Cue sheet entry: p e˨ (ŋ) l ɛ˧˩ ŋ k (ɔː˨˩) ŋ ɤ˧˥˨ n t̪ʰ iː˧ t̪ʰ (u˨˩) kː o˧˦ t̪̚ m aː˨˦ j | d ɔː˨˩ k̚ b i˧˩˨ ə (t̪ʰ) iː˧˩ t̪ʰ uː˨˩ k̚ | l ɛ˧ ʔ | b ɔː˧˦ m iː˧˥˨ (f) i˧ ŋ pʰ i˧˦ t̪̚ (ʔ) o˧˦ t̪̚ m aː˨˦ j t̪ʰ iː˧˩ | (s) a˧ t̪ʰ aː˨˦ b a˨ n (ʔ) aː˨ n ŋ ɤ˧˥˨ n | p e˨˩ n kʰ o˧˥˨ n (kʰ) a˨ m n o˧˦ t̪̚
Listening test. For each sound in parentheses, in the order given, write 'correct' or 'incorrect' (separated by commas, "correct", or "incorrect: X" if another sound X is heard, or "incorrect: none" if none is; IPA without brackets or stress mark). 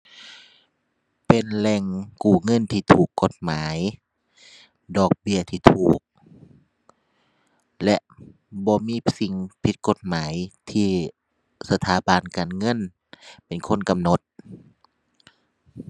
incorrect: n, incorrect: uː˨˩, incorrect: uː˨˩, correct, incorrect: s, incorrect: k, correct, incorrect: k, incorrect: k